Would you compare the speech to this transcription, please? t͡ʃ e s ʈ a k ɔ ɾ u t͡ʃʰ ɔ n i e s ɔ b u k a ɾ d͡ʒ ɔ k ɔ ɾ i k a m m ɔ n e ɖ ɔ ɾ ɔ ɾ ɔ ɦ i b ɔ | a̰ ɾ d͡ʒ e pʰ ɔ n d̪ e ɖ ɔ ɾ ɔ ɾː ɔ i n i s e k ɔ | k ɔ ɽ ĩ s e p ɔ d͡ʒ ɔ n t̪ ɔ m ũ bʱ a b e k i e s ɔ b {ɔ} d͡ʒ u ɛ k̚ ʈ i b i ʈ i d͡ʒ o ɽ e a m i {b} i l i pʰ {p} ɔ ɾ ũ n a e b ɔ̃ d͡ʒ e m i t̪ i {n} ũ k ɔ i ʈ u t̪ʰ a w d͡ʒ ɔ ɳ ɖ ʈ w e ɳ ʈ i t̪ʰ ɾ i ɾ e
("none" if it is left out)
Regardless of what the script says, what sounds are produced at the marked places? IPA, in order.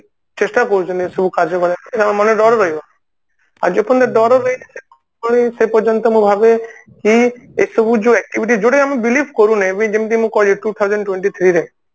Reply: u, b, k, m

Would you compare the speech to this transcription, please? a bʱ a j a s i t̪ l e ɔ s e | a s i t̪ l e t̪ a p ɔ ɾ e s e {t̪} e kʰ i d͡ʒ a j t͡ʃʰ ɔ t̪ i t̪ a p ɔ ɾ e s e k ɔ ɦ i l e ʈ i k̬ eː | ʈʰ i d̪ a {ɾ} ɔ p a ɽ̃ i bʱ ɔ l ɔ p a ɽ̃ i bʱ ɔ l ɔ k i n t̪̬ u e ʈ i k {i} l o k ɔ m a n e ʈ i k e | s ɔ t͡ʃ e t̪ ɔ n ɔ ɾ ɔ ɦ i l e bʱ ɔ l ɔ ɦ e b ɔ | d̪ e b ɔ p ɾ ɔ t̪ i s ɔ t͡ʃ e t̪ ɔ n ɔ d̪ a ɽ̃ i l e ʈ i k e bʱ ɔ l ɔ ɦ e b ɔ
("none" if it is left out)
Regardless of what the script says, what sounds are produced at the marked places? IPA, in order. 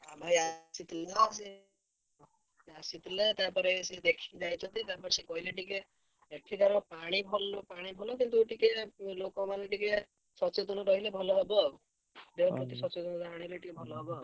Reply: d̪, ɾ, e

